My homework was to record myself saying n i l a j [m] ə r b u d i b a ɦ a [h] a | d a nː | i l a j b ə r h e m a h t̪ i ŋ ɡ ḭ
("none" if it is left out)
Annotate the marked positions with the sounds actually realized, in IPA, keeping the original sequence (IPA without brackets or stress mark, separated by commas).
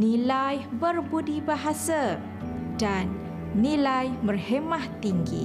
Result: b, s